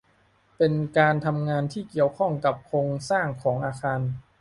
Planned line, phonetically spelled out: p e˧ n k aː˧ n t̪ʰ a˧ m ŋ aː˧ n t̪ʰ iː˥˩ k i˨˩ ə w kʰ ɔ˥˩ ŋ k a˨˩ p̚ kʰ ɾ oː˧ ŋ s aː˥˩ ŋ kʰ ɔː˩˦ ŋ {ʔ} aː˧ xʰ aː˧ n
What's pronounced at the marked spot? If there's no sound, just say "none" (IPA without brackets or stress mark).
ʔ